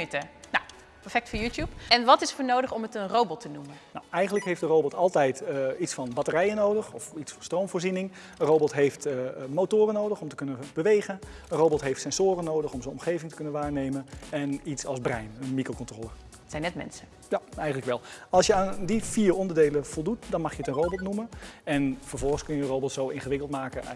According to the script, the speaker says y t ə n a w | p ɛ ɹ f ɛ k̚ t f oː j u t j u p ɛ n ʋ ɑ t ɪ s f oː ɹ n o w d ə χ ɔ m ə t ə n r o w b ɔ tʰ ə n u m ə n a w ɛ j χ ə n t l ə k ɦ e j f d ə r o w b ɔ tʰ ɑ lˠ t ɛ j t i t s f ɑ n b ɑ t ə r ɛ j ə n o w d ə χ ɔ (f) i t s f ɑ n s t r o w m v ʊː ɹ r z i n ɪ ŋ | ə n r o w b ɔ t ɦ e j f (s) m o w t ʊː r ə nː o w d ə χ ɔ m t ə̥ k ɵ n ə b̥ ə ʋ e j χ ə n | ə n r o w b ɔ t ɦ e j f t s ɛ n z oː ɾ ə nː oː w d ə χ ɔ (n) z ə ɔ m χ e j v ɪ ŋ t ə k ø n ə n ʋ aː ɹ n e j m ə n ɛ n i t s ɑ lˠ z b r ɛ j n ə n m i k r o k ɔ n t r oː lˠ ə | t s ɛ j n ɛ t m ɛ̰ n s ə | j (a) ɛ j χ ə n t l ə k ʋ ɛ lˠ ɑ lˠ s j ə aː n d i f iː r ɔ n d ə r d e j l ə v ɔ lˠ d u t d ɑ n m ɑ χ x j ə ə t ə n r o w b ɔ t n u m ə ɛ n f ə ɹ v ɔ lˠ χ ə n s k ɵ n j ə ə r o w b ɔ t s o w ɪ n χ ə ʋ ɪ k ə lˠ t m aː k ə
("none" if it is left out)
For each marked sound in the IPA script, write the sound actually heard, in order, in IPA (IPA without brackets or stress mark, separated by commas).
f, t, m, a